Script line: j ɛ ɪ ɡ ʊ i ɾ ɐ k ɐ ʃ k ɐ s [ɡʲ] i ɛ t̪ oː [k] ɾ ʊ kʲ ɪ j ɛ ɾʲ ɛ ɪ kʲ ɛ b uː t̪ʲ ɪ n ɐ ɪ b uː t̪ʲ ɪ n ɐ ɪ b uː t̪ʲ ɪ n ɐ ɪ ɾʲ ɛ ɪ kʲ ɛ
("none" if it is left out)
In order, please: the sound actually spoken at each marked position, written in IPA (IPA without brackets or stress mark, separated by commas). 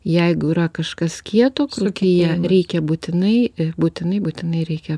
kʲ, k